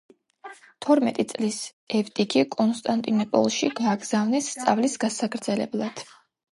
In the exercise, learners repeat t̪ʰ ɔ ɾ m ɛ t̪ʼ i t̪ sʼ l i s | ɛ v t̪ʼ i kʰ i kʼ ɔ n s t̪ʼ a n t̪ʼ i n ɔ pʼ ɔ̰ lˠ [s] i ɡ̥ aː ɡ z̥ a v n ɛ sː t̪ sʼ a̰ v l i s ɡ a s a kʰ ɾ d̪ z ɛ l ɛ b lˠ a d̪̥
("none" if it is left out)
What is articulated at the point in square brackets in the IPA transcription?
ʃ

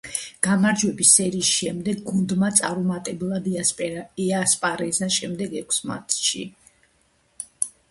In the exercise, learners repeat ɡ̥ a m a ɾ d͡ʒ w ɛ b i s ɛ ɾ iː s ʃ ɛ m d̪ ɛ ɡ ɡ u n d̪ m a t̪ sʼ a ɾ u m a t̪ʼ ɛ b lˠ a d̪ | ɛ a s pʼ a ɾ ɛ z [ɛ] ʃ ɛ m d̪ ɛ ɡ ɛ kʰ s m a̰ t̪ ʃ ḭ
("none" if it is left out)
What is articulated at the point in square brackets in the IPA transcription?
a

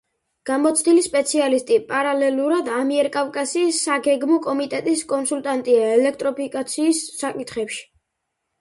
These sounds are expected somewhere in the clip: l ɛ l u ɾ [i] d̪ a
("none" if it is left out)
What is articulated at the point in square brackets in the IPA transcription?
a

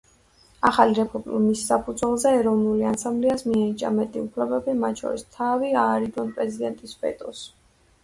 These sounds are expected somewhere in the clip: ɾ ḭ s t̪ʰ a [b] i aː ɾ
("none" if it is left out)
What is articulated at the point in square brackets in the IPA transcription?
v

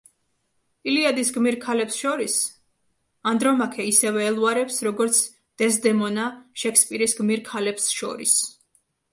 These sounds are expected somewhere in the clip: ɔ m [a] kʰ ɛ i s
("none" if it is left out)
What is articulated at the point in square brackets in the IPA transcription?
a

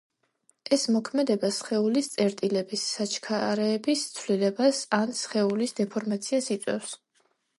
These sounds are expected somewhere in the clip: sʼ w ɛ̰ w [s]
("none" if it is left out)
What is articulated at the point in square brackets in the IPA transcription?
s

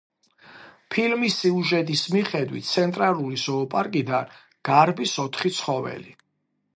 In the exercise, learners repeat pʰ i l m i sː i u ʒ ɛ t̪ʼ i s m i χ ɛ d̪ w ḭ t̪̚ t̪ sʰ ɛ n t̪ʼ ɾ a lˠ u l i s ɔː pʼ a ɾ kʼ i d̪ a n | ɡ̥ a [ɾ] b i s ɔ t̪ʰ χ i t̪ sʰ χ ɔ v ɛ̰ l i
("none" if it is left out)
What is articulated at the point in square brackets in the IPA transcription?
ɾ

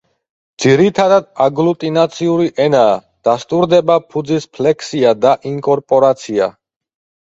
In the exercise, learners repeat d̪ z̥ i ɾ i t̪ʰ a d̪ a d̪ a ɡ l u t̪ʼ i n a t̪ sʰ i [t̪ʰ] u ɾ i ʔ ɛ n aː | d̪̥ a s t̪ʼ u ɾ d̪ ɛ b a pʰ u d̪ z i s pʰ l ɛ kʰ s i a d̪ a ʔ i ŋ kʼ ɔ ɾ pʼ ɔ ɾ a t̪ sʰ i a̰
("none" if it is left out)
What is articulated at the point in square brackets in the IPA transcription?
none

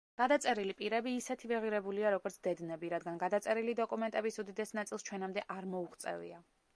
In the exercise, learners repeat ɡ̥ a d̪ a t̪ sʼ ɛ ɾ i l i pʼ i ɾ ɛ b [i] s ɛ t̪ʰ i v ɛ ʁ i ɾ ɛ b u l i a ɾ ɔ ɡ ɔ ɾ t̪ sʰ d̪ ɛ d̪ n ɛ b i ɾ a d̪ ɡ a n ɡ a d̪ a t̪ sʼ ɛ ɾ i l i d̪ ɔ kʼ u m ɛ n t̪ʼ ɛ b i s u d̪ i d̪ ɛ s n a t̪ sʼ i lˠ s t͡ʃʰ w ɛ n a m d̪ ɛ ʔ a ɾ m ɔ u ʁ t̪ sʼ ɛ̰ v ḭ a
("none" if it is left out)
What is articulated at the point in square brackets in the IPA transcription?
iː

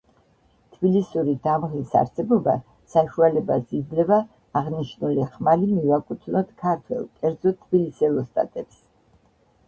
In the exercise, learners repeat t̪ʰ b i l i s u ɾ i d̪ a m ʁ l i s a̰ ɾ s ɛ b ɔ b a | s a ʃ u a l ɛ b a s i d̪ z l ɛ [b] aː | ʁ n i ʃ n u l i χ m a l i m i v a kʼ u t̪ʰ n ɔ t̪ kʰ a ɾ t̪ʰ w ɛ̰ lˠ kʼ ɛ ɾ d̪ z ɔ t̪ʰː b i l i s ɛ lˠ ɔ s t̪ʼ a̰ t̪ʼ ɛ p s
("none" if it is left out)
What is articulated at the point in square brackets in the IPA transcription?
v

